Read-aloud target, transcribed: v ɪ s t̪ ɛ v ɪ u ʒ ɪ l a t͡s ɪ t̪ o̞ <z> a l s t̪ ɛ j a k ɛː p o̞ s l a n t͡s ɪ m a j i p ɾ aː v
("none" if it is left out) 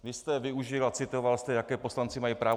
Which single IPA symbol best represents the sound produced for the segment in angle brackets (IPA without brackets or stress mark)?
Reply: v